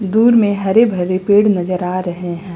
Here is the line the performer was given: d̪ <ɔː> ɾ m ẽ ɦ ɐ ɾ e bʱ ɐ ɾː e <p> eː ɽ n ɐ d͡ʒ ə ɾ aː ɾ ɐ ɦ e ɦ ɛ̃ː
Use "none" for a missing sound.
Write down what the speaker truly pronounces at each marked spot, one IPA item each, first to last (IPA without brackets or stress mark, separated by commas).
uː, p